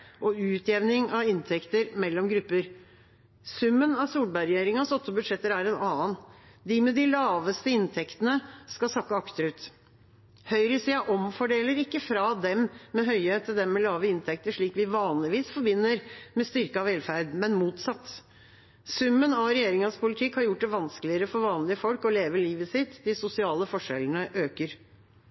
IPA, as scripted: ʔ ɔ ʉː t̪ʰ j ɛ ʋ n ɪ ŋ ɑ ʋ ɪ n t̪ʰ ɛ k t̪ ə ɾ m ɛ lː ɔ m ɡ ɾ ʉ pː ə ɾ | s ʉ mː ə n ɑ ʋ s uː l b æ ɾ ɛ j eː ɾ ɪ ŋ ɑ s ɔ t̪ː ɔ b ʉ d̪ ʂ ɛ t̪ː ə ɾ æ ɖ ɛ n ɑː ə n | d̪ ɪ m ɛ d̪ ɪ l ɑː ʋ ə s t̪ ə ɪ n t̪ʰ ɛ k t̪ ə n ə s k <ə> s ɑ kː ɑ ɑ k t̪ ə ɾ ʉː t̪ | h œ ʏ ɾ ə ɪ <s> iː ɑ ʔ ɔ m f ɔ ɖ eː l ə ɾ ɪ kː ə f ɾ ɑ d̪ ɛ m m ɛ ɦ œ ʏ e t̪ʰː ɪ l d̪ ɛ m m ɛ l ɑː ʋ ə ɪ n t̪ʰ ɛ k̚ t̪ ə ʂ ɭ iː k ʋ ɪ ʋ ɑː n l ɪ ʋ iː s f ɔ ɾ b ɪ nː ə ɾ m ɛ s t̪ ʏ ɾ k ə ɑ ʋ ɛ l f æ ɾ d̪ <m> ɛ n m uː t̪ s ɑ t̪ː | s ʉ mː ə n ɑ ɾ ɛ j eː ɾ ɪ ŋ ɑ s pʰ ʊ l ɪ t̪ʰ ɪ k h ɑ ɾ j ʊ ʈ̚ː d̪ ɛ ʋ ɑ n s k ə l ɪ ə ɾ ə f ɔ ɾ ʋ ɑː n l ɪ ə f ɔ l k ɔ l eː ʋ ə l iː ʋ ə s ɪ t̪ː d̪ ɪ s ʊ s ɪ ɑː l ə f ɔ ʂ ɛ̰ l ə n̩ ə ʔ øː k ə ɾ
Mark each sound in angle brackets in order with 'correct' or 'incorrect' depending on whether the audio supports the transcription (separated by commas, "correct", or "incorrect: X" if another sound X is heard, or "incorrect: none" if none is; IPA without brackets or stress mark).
incorrect: ɑ, correct, correct